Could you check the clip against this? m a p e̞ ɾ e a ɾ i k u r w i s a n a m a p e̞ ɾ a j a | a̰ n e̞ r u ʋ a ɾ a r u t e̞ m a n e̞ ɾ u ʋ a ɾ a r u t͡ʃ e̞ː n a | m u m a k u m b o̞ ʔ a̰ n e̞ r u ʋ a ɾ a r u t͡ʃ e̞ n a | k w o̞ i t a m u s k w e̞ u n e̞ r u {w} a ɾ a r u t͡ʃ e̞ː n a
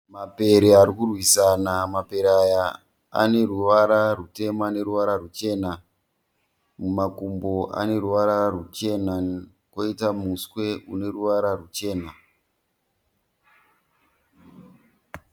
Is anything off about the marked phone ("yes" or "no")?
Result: yes